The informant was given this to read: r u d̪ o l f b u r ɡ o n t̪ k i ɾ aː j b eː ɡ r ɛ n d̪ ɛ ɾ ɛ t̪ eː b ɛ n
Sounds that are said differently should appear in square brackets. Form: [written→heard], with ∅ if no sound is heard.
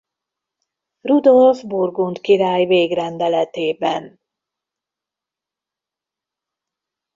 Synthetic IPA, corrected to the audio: r u d̪ o l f b u r ɡ [o→u] n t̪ k i ɾ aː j [b→v] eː ɡ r ɛ n d̪ ɛ [ɾ→l] ɛ t̪ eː b ɛ n